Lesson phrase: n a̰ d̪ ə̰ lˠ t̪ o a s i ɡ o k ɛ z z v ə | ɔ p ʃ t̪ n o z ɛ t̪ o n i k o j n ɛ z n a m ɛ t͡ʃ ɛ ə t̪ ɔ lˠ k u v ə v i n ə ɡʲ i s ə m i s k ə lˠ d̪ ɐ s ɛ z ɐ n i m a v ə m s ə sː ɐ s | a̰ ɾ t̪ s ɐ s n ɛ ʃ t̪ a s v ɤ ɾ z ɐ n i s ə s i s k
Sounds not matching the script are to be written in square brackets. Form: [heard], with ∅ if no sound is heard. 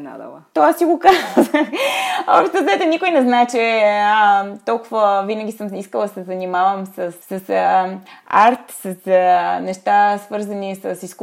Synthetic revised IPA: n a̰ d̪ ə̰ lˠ t̪ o a s i ɡ o k [a] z z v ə | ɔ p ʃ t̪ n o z ɛ t̪ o n i k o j n ɛ z n a [∅] ɛ t͡ʃ ɛ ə t̪ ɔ lˠ k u v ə v i n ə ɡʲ i s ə m i s k ə lˠ d̪ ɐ s ɛ z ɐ n i m a v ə m s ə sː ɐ s | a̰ ɾ t̪ s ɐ s n ɛ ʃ t̪ a s v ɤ ɾ z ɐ n i s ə s i s k